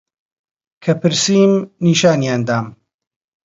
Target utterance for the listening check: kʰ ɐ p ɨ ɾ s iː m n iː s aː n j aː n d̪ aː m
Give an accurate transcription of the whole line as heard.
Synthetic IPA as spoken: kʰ ɐ p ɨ ɾ s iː m n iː ʃ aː n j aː n d̪ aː m